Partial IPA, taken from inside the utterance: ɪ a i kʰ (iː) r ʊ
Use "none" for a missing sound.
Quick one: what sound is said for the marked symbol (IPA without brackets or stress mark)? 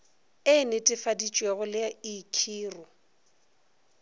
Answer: iː